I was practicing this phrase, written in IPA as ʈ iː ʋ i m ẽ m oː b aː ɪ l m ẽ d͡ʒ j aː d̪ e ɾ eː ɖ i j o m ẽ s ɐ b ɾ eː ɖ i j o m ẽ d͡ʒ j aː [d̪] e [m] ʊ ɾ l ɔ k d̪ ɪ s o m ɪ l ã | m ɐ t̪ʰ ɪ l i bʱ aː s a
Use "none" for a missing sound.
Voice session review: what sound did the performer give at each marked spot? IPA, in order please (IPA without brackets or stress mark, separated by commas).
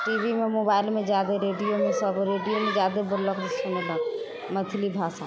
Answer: d̪, b